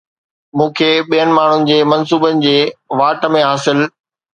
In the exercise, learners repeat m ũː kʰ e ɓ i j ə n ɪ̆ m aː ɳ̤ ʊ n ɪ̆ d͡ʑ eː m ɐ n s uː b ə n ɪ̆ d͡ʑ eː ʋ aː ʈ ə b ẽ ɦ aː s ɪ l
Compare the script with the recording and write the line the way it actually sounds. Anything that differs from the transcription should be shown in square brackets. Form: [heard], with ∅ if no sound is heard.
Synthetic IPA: m ũː kʰ e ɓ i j ə n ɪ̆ m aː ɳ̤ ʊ n ɪ̆ d͡ʑ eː m ɐ n s uː b ə n ɪ̆ d͡ʑ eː ʋ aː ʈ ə [m] ẽ ɦ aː s ɪ l